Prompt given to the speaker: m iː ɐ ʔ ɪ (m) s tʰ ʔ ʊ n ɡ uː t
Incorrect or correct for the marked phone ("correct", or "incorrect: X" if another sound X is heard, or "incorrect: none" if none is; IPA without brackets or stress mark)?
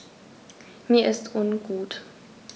incorrect: none